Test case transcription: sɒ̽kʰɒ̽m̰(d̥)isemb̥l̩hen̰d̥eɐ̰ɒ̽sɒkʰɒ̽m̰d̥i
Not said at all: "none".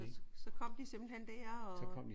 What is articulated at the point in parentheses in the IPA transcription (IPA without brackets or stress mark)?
d̥